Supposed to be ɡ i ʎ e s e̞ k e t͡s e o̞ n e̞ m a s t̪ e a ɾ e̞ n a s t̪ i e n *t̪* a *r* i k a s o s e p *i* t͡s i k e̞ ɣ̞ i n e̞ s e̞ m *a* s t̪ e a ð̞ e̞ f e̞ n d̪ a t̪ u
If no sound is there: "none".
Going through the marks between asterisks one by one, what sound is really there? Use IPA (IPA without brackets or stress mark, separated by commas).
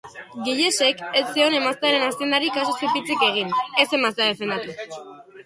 d̪, ɾ, i, a